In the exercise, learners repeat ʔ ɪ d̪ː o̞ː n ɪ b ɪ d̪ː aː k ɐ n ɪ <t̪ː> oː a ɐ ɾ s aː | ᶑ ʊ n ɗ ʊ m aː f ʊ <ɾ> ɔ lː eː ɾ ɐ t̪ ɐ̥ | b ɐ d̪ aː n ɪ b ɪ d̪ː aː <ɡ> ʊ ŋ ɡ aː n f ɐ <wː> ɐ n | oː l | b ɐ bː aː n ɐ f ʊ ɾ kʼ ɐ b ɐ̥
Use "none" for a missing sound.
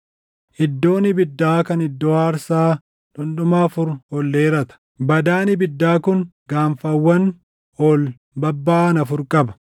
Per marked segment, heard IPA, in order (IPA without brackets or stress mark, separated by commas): d̪ː, ɾ, k, wː